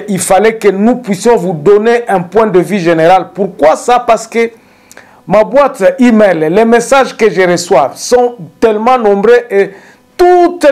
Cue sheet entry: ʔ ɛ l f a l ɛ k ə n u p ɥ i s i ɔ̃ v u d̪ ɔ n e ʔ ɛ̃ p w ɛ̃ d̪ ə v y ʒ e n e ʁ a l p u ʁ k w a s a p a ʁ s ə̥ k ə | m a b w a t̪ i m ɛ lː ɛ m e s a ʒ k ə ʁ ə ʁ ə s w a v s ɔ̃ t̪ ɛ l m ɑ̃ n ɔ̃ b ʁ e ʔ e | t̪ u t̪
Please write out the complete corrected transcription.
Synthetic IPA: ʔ i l f a l ɛ k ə n u p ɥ i s j ɔ̃ v u d̪ ɔ n e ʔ ɛ̃ p w ɛ̃ d̪ ə v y ʒ e n e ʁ a l p u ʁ k w a s a p a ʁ s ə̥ k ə | m a b w a t̪ i m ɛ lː ɛ m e s a ʒ k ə ʒ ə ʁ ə s w a v s ɔ̃ t̪ ɛ l m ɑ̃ n ɔ̃ b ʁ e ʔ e | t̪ u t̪